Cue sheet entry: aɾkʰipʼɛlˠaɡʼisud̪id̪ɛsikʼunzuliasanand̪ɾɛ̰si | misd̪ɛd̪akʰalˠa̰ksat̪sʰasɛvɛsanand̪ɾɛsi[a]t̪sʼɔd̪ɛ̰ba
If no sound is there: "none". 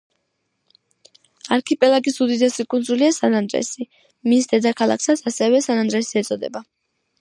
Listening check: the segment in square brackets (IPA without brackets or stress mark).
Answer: ɛ